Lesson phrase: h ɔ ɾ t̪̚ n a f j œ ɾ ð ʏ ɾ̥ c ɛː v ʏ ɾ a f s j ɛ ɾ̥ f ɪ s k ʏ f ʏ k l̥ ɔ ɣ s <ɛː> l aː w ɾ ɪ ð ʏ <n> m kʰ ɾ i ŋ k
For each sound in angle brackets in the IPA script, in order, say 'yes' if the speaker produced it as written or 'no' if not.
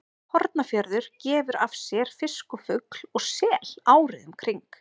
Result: yes, no

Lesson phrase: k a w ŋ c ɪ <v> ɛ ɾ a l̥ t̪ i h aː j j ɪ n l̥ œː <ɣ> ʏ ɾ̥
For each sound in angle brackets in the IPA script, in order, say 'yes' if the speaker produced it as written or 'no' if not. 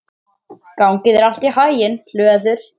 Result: no, no

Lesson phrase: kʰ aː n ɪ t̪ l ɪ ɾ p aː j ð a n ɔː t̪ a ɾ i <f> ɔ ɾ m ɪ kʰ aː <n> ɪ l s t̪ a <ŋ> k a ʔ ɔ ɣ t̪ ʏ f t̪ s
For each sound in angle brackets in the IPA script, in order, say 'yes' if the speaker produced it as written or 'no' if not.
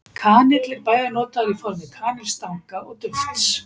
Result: yes, yes, yes

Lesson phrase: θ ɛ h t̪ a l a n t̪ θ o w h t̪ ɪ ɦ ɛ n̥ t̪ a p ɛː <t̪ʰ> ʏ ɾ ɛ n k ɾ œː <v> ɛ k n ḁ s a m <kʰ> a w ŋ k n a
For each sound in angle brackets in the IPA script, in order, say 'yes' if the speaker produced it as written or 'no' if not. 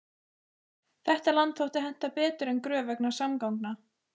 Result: no, yes, no

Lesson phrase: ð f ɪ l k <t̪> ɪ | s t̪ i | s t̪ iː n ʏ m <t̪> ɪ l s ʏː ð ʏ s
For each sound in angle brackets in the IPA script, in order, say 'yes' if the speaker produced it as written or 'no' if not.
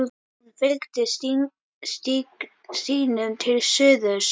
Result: yes, no

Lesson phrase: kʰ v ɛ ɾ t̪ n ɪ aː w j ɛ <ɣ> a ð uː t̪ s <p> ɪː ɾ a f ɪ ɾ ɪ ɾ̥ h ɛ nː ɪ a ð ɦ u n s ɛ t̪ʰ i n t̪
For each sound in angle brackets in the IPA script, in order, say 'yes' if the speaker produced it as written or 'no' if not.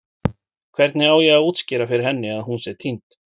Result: yes, no

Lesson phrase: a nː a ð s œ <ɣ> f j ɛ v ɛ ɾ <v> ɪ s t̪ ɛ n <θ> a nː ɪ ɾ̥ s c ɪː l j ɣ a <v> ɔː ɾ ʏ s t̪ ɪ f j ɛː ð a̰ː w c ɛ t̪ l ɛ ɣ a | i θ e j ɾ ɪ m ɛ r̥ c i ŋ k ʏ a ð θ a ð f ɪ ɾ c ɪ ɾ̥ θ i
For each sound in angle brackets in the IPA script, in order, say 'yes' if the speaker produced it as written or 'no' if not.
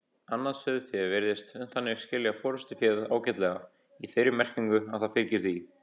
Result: no, no, yes, no

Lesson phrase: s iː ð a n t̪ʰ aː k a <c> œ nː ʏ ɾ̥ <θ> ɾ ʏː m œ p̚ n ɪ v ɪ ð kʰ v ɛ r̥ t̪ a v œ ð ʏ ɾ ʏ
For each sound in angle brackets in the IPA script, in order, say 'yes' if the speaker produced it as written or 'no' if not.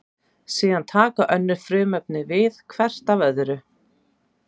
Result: no, no

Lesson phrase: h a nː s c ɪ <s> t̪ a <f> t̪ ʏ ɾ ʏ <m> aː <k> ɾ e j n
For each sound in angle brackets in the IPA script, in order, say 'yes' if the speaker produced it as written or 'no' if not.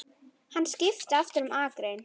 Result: no, yes, yes, yes

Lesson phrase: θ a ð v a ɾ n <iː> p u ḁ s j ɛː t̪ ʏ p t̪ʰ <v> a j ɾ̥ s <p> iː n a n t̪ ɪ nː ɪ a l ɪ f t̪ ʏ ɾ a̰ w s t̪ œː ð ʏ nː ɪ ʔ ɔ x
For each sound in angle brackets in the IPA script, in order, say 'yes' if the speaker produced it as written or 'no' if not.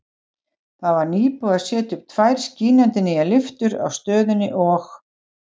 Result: yes, yes, no

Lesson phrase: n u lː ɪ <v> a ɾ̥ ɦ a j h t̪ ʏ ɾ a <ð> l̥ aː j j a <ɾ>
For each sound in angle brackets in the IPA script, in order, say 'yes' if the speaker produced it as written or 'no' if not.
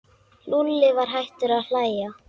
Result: yes, yes, no

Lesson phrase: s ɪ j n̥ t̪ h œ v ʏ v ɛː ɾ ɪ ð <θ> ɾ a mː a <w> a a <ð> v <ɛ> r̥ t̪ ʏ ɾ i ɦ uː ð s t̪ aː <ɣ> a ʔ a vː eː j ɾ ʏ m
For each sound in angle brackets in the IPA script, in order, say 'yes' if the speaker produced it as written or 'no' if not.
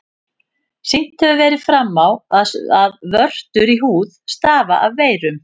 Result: no, yes, yes, no, no

